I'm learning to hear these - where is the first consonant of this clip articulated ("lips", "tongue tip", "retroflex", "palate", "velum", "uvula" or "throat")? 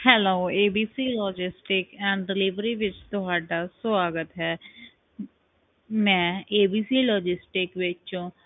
throat